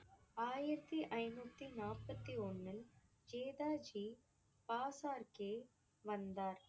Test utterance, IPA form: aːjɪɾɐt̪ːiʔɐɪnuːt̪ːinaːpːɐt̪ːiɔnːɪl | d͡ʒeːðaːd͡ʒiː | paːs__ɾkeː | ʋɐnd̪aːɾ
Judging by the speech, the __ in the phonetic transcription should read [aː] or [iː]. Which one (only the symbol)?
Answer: aː